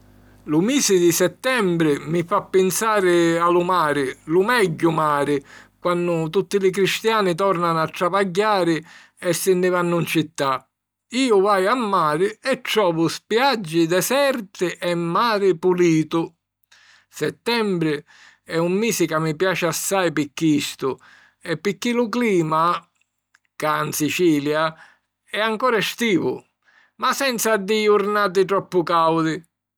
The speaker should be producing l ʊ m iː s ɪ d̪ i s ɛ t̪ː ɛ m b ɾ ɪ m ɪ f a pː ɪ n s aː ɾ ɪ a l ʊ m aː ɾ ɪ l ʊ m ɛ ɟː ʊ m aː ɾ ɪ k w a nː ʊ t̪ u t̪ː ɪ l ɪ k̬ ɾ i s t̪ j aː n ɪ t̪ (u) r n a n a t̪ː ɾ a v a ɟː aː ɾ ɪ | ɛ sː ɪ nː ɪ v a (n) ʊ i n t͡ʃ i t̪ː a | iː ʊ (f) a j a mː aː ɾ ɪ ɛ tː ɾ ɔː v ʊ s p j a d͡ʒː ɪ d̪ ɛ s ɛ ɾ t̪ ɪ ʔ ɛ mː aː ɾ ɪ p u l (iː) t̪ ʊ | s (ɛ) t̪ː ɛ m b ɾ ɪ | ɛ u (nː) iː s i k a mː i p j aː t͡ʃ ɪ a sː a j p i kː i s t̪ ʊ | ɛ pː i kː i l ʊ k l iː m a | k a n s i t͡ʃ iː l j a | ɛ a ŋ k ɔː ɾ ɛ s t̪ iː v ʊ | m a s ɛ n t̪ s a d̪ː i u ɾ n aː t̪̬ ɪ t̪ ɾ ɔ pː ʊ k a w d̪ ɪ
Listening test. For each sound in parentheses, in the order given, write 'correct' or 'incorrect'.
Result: incorrect: ɔ, incorrect: nː, incorrect: v, correct, correct, incorrect: mː

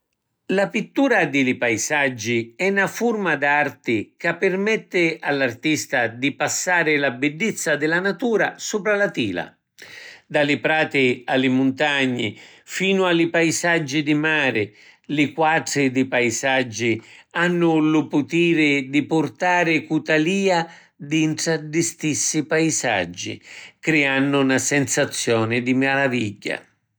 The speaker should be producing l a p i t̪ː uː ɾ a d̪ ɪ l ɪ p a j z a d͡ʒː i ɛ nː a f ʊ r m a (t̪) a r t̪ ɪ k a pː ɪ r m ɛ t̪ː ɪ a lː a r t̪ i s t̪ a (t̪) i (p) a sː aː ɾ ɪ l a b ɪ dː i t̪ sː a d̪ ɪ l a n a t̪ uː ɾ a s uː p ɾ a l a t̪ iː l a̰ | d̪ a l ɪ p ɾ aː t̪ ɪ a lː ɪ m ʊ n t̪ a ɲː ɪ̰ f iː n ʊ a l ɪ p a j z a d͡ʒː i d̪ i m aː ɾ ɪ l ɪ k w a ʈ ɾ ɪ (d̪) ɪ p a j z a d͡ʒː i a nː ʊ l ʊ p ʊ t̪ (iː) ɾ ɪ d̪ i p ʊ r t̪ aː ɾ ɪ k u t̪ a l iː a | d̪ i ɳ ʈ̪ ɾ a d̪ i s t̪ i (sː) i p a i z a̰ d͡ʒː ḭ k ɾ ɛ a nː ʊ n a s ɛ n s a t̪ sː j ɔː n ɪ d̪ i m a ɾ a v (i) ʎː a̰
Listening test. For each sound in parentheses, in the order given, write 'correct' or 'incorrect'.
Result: incorrect: d̪, incorrect: d̪, correct, correct, correct, correct, correct

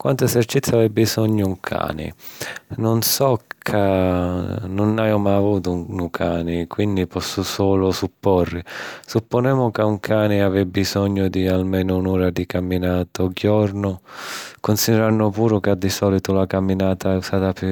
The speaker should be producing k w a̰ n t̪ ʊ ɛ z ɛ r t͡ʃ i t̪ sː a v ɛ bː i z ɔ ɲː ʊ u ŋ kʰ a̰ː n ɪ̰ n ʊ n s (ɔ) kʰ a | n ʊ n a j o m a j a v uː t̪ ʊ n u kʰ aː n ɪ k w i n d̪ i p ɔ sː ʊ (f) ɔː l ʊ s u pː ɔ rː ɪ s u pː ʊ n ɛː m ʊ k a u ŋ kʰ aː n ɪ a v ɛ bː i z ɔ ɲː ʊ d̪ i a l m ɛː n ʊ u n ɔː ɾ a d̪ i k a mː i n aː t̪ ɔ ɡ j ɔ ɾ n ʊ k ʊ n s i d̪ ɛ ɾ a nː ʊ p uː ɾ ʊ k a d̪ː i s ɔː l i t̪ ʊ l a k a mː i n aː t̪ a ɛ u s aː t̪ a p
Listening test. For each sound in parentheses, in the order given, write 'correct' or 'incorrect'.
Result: correct, incorrect: s

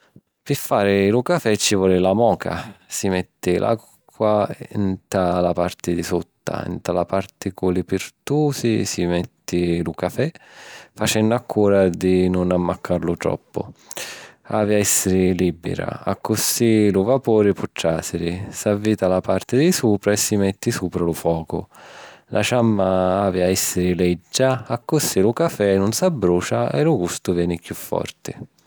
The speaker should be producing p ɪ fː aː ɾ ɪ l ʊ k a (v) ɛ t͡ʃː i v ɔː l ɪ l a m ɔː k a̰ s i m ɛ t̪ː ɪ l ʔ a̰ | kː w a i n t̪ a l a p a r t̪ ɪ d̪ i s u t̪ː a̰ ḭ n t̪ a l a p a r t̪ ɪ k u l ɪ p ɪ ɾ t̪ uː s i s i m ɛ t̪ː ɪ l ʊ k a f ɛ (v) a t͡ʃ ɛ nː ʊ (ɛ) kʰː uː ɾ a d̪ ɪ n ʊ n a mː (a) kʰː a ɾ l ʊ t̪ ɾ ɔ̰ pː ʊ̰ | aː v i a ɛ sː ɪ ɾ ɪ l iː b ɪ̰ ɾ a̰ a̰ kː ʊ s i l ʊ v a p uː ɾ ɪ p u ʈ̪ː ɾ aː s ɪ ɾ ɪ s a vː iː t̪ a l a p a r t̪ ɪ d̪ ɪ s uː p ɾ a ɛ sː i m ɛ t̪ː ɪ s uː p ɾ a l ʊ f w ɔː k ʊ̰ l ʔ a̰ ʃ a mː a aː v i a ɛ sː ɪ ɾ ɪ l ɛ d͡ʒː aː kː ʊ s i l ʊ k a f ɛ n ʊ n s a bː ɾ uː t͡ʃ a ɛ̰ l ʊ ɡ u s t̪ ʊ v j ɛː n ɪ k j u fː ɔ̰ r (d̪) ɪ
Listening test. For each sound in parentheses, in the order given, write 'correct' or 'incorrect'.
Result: incorrect: f, incorrect: f, incorrect: a, correct, incorrect: t̪

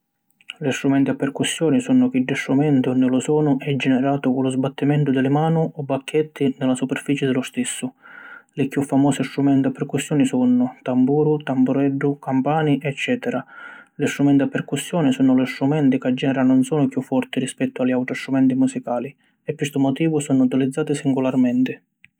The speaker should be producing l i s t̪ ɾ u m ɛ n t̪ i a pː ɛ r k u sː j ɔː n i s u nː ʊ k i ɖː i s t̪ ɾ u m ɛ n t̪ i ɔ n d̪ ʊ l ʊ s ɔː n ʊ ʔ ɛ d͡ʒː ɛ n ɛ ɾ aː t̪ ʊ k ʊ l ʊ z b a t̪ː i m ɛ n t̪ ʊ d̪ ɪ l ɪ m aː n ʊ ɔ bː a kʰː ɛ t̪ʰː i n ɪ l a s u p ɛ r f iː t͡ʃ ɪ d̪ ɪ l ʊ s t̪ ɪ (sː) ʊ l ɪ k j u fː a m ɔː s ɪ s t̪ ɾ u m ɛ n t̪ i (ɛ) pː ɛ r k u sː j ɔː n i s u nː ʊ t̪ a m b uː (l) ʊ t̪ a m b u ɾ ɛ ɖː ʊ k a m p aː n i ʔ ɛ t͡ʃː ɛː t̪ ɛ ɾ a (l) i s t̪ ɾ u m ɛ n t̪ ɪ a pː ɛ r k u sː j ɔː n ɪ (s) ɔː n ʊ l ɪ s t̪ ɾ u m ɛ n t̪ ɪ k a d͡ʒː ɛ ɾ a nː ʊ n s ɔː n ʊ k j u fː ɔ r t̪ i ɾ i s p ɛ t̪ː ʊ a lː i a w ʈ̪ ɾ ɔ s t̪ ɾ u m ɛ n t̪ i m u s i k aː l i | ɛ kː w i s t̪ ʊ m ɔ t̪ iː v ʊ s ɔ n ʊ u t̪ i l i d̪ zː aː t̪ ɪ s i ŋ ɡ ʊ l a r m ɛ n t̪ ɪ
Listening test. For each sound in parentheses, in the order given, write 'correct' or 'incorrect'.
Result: correct, incorrect: a, incorrect: ɾ, correct, correct

